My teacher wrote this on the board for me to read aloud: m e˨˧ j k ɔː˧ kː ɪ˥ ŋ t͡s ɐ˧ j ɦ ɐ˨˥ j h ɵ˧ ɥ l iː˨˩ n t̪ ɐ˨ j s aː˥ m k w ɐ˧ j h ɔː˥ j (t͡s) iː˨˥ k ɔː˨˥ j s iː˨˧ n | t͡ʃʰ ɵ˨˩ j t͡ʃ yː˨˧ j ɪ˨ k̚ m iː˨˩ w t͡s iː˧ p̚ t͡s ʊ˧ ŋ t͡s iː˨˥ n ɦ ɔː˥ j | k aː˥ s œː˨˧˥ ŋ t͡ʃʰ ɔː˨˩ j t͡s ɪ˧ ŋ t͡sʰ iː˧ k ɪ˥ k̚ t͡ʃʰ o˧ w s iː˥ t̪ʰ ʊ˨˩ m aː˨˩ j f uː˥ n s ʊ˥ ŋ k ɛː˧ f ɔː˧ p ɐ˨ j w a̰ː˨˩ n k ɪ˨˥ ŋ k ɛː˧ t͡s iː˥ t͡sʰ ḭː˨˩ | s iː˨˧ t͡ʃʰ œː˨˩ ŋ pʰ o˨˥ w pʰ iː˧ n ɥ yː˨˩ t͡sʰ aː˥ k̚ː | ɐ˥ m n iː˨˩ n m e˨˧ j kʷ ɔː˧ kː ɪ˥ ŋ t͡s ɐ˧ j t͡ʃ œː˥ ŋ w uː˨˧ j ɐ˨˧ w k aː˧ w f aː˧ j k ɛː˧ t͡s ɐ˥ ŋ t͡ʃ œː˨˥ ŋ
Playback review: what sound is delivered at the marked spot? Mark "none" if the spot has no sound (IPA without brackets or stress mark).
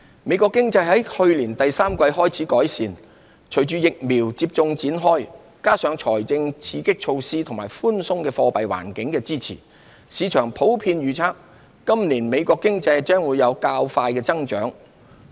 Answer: t͡sʰ